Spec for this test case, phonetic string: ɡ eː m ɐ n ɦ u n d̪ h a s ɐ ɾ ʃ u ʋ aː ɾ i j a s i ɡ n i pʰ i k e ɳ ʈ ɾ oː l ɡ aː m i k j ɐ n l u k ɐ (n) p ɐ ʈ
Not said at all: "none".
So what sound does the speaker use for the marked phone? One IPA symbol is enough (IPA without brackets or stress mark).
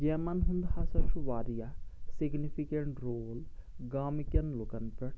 n